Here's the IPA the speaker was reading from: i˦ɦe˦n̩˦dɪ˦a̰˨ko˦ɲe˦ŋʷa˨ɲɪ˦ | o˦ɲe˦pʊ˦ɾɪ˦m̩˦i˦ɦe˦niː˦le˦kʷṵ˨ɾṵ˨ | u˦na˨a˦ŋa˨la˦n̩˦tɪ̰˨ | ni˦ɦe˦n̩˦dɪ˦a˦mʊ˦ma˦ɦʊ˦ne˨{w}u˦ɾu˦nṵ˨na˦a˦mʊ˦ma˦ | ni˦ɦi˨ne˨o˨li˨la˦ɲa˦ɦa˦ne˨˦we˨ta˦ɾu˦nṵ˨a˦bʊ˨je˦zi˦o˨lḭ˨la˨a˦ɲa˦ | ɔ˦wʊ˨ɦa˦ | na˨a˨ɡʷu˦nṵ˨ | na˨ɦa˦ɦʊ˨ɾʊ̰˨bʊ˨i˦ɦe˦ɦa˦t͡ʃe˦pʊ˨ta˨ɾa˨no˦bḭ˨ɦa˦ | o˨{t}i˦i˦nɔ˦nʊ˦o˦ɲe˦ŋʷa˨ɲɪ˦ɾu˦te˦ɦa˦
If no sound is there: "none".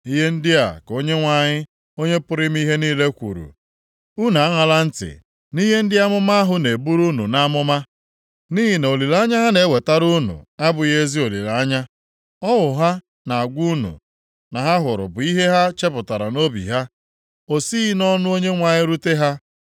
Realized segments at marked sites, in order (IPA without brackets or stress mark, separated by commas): b, s